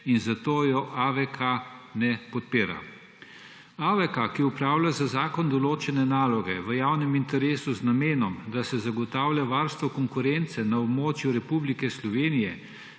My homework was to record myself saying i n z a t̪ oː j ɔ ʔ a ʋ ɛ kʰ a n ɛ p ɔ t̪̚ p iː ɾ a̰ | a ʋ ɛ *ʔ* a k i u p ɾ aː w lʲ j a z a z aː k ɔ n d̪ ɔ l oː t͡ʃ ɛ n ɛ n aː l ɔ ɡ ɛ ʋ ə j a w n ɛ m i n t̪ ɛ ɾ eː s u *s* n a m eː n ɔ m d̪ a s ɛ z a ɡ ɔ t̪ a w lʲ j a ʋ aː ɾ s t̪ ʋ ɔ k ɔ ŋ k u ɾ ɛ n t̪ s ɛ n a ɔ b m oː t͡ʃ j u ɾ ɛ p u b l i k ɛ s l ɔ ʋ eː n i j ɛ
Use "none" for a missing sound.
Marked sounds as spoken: k, z

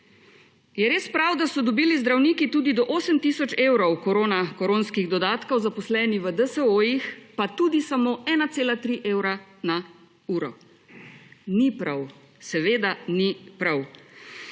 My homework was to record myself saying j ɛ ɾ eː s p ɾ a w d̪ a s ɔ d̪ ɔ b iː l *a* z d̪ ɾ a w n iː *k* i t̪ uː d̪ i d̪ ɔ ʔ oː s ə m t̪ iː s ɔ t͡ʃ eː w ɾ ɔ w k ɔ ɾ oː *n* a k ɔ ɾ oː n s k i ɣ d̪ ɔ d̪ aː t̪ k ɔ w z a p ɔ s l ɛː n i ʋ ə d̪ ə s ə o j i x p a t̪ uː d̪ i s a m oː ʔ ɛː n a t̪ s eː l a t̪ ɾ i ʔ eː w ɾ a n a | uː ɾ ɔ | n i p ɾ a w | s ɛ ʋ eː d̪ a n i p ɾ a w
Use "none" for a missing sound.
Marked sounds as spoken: i, k, n

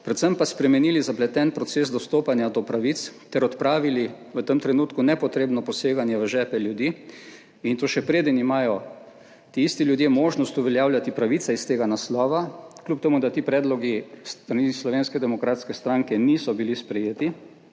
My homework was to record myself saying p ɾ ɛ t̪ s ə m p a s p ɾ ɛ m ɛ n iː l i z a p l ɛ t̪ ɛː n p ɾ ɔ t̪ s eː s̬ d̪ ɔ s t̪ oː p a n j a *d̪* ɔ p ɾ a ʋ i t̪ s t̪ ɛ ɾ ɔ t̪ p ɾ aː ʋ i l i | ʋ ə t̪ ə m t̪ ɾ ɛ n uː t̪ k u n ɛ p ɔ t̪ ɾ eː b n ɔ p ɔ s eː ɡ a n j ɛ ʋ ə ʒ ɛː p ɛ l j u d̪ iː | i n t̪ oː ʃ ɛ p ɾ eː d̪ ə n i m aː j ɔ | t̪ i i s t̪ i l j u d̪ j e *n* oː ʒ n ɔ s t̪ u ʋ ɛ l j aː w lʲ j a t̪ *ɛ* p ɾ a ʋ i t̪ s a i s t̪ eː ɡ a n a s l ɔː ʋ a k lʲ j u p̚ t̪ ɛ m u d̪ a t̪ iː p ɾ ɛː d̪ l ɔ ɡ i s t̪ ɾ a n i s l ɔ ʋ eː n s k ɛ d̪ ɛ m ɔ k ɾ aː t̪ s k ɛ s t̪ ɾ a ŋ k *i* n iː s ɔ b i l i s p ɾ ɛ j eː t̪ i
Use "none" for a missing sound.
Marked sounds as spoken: d̪, m, i, ɛ

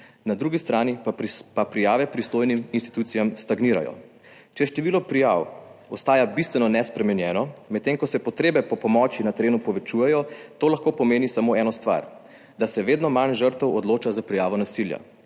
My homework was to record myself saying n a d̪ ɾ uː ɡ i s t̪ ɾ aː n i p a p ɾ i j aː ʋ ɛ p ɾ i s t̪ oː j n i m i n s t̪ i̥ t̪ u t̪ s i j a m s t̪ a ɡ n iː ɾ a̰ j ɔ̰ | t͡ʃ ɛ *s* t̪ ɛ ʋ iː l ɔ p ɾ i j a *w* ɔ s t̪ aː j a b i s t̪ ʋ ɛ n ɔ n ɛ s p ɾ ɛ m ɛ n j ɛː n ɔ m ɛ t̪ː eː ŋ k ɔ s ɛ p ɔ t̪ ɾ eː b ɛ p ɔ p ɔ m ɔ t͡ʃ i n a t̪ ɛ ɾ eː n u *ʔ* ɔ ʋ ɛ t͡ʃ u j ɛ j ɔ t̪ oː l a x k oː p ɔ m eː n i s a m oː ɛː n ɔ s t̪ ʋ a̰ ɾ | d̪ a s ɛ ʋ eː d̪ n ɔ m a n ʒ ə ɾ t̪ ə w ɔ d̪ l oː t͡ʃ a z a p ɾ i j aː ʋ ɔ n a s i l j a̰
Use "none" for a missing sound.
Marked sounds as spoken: ʃ, w, p

